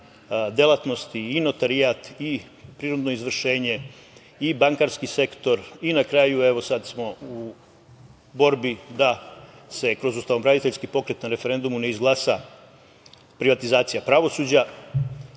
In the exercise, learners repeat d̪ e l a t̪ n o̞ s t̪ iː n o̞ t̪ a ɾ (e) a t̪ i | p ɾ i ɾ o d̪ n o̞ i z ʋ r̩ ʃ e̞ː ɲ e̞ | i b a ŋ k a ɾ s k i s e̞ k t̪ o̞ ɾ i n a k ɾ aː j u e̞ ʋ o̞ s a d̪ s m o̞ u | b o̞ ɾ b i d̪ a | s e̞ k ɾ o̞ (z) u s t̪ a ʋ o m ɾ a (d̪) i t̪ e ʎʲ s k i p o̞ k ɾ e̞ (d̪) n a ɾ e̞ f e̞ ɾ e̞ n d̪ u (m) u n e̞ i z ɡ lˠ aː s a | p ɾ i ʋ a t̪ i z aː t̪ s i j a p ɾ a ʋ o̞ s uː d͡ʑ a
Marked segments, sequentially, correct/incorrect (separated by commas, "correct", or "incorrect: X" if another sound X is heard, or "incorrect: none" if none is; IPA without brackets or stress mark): incorrect: i, correct, correct, incorrect: t̪, correct